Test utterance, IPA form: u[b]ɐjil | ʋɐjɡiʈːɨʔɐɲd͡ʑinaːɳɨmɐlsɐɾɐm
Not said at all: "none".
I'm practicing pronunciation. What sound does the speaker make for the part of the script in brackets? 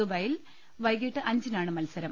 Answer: b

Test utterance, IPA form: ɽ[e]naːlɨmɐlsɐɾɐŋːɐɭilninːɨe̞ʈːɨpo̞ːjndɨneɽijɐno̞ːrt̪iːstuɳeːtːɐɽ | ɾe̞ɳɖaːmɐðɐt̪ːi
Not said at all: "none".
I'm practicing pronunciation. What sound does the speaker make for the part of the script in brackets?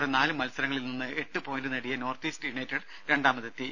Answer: e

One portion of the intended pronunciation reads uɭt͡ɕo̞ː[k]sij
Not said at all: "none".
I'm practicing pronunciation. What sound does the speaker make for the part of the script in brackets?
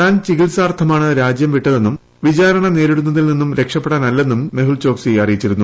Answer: k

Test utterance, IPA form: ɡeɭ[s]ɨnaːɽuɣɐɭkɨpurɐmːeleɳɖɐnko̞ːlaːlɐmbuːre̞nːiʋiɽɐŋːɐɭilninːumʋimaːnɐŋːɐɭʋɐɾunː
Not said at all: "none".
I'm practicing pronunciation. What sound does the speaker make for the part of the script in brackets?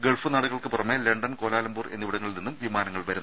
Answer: f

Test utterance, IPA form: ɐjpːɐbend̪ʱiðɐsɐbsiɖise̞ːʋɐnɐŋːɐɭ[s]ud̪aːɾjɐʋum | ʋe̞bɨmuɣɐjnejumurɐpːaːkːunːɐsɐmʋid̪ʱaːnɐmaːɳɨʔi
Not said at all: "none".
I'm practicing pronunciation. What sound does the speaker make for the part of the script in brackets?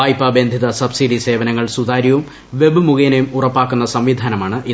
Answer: s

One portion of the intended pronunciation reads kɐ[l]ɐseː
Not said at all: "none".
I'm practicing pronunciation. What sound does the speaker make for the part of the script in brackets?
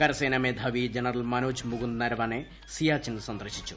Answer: ɾ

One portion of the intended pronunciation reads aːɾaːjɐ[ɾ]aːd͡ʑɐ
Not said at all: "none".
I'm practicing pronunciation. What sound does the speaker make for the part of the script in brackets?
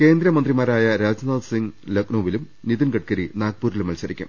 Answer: ɾ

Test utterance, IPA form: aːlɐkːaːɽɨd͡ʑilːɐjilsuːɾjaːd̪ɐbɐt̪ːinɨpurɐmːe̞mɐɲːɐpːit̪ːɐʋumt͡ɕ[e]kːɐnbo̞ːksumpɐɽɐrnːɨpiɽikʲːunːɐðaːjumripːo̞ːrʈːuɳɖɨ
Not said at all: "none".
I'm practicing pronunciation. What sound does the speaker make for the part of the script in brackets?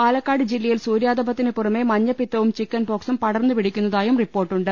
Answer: i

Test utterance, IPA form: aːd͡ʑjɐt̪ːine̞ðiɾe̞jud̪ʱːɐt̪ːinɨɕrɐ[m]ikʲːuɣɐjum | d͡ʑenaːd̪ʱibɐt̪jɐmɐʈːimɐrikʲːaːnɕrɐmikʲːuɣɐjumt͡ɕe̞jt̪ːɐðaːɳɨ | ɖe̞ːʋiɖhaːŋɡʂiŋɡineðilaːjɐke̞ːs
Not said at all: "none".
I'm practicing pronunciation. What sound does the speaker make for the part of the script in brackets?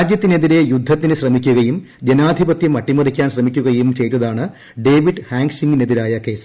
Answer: m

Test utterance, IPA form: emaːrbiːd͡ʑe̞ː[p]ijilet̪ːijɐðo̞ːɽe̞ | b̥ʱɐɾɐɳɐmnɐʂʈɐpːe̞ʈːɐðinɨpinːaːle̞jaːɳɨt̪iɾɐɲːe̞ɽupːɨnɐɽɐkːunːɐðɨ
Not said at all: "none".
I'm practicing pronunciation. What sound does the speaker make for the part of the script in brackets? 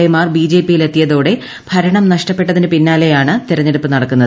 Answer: p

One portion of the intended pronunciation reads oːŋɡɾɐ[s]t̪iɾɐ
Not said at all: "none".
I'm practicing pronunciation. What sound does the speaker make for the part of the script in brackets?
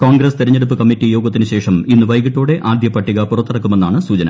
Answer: s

